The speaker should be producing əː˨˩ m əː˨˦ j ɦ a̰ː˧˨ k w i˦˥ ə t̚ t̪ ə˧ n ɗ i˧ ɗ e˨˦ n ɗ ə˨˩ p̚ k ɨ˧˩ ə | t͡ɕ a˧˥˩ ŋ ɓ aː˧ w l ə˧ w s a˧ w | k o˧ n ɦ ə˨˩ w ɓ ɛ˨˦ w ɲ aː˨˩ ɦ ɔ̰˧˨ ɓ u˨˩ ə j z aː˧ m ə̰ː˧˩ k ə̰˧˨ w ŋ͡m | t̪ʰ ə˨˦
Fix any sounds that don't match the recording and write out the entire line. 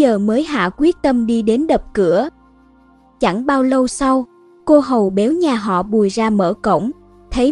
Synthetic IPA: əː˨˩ m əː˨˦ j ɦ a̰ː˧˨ k w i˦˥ ə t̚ t̪ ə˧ m ɗ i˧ ɗ e˨˦ n ɗ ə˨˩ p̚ k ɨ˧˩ ə | t͡ɕ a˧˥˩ ŋ ɓ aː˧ w l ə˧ w s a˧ w | k o˧ ɦ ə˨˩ w ɓ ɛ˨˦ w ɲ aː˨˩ ɦ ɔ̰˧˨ ɓ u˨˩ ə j z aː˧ m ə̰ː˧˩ k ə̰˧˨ w ŋ͡m | t̪ʰ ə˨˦